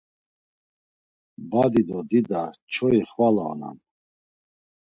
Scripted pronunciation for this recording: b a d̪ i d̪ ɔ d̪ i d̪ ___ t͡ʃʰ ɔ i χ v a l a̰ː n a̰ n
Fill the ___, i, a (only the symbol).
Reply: a